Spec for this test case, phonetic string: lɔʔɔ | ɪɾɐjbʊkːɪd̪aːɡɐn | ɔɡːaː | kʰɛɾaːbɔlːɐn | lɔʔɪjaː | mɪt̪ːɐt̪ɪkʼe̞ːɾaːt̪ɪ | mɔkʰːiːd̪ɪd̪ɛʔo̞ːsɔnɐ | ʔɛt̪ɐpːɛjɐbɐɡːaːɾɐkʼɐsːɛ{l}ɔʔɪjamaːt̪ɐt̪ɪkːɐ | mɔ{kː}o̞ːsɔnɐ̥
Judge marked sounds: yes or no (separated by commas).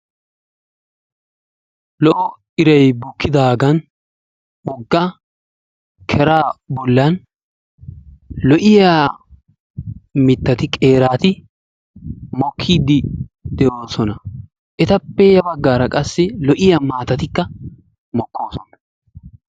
yes, yes